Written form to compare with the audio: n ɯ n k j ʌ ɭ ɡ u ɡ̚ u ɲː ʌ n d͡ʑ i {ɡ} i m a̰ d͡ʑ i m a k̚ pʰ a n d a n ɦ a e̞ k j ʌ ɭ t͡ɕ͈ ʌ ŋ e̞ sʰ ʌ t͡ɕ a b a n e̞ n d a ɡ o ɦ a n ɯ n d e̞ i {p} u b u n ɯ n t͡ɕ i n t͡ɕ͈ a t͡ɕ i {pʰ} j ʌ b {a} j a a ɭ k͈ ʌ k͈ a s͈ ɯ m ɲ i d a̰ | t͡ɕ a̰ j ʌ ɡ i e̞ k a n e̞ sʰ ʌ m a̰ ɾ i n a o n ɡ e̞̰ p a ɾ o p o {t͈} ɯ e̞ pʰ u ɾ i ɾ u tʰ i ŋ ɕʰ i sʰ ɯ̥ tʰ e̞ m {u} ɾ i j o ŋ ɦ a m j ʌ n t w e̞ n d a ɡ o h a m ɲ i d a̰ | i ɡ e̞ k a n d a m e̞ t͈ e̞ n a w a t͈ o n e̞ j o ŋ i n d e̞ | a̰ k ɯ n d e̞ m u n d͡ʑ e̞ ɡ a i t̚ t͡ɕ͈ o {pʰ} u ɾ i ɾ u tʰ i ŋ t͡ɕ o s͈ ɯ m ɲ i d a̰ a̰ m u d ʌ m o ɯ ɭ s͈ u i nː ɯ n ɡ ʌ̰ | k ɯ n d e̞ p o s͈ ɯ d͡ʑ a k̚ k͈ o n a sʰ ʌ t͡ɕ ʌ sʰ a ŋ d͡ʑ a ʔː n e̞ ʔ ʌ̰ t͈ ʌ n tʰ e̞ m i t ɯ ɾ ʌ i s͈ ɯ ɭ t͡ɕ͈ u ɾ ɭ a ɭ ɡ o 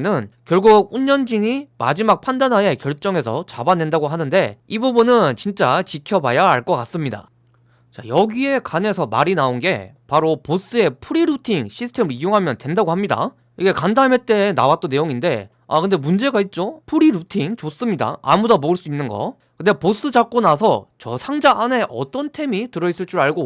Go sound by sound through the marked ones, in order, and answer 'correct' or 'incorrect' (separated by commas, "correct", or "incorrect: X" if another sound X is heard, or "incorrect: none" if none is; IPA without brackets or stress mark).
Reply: incorrect: ŋ, incorrect: b, incorrect: kʰ, correct, incorrect: s͈, incorrect: ɯ, correct